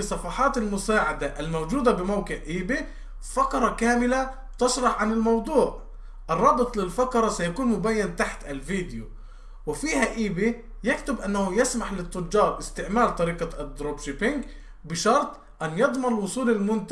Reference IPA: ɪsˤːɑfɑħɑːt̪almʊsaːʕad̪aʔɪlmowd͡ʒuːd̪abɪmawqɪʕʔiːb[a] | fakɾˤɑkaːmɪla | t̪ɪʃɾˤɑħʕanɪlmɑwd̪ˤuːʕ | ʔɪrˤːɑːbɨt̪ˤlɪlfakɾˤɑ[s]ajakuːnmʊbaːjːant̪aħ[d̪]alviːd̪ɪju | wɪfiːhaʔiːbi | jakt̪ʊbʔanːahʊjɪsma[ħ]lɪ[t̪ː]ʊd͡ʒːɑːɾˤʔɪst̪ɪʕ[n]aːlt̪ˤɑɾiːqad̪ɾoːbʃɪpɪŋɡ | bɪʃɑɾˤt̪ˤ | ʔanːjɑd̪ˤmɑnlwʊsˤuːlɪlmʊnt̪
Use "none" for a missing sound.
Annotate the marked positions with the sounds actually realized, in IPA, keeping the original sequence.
i, s, t̪, ħ, t̪ː, m

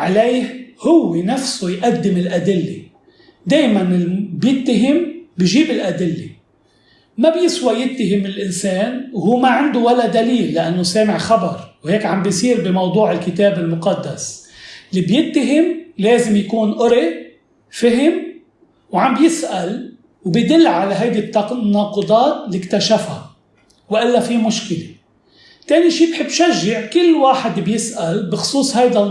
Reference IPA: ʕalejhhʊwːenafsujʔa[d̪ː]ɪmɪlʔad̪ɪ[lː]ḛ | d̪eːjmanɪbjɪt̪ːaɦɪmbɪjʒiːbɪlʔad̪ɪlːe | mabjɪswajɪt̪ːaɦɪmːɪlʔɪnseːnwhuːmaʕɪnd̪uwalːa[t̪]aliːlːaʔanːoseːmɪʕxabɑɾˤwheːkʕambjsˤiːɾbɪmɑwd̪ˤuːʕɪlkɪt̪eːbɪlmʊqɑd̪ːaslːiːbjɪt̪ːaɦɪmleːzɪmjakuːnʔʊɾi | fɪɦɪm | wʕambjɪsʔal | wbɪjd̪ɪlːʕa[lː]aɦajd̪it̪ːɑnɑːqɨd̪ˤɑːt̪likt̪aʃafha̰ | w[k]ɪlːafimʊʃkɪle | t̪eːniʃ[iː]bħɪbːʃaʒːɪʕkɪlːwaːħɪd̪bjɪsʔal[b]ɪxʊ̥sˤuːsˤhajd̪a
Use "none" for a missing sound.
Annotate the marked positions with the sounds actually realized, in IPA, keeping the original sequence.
d̪ː, lː, d̪, l, ʔ, iː, b

